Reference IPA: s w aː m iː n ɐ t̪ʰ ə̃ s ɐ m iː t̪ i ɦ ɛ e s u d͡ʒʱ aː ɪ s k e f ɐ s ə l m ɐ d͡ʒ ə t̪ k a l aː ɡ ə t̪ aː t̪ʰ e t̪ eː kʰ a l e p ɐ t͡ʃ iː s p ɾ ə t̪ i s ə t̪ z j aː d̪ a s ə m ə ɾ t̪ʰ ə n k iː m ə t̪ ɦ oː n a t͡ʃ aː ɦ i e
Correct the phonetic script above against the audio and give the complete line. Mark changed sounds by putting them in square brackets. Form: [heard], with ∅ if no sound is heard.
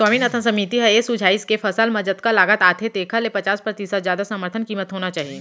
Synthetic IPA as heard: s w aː m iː n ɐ t̪ʰ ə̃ s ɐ m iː t̪ i ɦ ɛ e s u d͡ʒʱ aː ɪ s k e f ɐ s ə l m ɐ d͡ʒ ə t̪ k a l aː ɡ ə t̪ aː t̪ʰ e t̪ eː kʰ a l e p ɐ t͡ʃ [aː] s p ɾ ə t̪ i s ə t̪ z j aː d̪ a s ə m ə ɾ t̪ʰ ə n k iː m ə t̪ ɦ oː n a t͡ʃ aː ɦ i e